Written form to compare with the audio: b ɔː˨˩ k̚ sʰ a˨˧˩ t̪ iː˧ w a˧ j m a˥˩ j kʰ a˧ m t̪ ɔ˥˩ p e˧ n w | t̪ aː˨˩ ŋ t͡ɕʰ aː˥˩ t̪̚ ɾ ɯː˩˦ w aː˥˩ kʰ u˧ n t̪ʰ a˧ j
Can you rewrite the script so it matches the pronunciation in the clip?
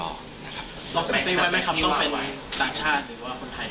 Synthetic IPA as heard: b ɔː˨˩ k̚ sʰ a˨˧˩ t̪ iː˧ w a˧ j m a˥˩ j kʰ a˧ m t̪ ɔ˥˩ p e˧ n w | t̪ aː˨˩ ŋ t͡ɕʰ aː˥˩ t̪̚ ɾ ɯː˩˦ w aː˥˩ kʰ o˧ n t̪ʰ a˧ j